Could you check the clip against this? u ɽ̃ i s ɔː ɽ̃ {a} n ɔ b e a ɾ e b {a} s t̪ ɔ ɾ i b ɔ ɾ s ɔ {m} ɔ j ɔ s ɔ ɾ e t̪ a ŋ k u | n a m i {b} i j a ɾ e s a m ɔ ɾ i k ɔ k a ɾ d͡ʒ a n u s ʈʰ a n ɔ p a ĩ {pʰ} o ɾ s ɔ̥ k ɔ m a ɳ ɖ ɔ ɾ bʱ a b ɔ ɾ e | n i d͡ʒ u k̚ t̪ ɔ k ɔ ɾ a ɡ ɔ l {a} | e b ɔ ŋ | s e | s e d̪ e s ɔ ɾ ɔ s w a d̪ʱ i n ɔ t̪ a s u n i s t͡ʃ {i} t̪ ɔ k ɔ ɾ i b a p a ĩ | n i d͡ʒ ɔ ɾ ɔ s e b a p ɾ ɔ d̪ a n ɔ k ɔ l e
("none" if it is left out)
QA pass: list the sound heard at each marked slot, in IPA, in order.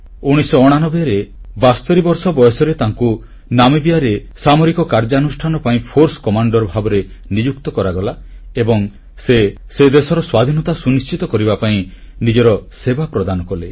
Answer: a, a, b, b, pʰ, a, i

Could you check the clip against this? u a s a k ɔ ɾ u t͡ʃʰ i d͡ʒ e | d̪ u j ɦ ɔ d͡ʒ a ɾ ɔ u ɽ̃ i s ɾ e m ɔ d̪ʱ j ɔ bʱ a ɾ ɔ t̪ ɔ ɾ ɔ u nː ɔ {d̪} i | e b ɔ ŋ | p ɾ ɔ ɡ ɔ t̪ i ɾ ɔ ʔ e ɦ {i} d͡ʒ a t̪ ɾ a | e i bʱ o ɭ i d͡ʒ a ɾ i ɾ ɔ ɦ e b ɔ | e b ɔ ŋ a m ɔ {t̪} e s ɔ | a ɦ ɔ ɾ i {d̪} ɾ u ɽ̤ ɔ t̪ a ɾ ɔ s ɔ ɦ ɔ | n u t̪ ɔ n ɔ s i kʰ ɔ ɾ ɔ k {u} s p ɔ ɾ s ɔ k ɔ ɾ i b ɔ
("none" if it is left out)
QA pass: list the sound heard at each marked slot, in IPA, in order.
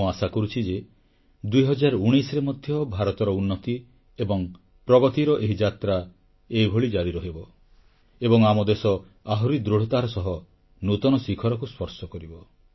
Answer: t̪, i, d̪, d̪, u

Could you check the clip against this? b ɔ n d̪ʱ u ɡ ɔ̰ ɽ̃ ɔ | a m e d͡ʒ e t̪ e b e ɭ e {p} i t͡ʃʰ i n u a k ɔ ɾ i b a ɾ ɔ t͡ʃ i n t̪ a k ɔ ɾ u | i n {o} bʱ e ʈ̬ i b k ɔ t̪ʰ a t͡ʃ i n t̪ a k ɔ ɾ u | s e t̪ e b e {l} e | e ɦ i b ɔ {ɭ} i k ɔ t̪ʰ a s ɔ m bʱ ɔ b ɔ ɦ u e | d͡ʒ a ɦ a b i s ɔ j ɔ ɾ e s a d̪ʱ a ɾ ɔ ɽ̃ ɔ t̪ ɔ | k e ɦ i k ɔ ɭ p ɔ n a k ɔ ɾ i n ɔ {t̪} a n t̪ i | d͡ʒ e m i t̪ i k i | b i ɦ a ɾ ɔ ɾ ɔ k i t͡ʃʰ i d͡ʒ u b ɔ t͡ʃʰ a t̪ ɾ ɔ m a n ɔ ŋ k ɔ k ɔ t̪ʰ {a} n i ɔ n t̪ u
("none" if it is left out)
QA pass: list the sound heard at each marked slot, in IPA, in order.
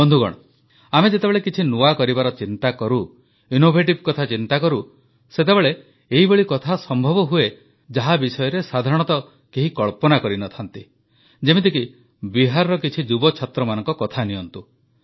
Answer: k, o, ɭ, ɭ, t̪ʰ, a

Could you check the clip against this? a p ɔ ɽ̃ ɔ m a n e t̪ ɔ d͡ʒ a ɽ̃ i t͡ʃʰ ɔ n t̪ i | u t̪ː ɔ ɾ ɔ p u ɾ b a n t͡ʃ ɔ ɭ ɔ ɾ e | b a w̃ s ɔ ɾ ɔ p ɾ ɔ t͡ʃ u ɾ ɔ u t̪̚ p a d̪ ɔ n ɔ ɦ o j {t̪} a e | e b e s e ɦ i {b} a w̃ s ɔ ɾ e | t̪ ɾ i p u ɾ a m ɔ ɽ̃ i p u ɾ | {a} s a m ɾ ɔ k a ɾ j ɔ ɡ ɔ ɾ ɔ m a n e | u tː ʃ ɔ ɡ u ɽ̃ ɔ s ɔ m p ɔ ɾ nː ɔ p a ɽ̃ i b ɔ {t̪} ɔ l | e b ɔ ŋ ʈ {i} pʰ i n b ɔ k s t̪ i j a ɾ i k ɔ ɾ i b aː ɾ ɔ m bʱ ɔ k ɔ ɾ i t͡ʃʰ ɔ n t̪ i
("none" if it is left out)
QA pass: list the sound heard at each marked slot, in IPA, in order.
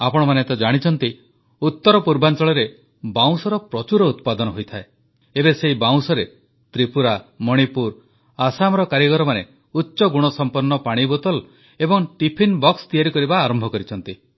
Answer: t̪ʰ, b, a, t̪, i

